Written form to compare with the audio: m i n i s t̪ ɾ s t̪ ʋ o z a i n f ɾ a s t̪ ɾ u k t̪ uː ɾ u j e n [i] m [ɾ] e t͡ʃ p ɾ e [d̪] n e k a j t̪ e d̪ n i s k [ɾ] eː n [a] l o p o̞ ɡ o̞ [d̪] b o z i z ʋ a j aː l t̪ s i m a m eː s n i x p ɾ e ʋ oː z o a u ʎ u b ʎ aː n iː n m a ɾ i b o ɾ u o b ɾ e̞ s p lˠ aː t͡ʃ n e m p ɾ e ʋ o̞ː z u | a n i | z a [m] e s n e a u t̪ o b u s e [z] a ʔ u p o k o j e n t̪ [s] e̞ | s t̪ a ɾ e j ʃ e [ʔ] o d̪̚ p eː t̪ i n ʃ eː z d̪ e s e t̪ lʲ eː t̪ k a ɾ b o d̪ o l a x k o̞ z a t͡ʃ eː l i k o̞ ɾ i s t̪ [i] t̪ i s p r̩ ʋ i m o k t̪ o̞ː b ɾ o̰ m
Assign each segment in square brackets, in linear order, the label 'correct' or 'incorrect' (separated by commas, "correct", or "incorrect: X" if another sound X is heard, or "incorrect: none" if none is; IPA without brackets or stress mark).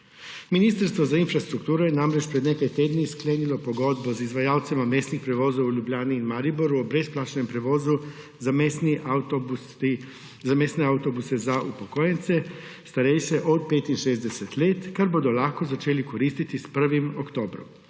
incorrect: a, correct, correct, incorrect: l, incorrect: i, correct, correct, correct, correct, correct, correct